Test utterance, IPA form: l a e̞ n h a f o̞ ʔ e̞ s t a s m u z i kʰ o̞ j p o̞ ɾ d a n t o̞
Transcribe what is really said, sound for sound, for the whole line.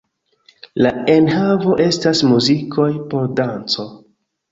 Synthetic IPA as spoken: l a e̞ n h a v o̞ ʔ e̞ s t a s m u z i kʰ o̞ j p o̞ ɾ d a n t͡s o̞